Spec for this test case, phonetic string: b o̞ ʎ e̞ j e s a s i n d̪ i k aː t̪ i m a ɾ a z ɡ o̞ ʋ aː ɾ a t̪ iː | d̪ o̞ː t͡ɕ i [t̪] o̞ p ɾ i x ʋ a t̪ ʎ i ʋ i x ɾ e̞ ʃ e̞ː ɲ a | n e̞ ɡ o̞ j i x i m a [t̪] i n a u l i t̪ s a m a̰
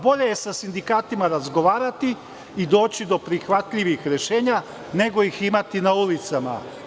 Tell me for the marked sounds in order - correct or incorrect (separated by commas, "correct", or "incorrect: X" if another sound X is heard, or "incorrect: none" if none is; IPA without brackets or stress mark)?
incorrect: d̪, correct